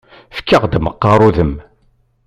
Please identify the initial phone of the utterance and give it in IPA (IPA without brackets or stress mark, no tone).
f